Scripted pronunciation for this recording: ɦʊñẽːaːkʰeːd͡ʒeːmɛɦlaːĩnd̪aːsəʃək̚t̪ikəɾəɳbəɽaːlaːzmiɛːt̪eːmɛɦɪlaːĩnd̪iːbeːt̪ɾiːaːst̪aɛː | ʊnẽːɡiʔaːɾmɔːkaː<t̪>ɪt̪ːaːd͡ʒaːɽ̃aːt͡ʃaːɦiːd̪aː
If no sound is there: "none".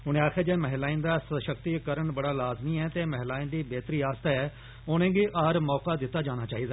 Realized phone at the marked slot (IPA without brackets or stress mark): d̪